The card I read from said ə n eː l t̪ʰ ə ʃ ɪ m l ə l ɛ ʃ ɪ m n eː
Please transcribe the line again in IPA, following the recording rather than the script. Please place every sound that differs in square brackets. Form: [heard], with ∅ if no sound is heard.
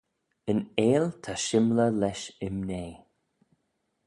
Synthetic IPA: ə n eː l t̪ʰ [a] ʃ ɪ m l ə l ɛ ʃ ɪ m n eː